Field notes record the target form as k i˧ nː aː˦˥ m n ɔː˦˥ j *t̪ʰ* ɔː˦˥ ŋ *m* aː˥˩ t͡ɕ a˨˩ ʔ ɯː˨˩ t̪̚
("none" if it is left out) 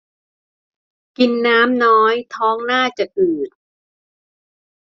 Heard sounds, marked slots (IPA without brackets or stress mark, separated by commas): t̪ʰ, n